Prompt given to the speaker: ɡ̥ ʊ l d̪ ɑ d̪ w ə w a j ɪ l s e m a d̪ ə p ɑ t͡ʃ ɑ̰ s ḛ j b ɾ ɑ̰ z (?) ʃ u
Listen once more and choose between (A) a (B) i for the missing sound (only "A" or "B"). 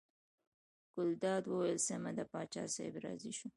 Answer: B